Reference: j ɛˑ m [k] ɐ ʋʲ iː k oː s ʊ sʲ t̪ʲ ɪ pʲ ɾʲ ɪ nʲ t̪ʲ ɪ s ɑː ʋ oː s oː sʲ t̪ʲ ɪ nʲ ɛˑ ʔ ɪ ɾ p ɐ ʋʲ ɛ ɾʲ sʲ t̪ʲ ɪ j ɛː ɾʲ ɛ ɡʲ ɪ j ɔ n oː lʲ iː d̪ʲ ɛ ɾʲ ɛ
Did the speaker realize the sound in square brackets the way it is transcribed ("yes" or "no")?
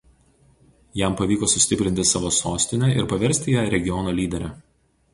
no